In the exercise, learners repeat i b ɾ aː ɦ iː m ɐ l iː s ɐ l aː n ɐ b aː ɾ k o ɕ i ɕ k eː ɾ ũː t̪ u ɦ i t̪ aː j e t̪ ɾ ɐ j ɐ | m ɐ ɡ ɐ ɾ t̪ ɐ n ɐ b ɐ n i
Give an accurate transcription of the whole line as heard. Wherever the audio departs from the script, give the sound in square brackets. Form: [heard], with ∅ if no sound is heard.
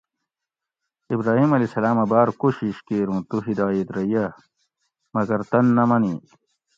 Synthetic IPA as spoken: i b ɾ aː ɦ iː m ɐ l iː s ɐ l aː [m] ɐ b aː ɾ k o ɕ i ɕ k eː ɾ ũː t̪ u ɦ i [d̪] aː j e t̪ ɾ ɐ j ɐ | m ɐ ɡ ɐ ɾ t̪ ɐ [nː] ɐ [m] ɐ n i